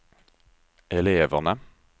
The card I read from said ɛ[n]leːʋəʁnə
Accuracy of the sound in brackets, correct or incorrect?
incorrect